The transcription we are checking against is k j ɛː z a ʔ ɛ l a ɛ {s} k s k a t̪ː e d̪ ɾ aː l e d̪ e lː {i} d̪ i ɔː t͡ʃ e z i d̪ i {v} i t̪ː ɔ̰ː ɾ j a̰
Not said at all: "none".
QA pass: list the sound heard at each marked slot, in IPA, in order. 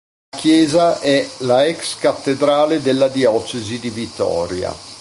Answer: none, a, v

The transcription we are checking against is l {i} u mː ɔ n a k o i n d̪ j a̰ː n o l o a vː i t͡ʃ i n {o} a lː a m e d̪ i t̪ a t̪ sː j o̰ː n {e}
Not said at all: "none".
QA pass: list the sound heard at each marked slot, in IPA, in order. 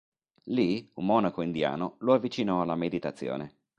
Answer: i, ɔ, e

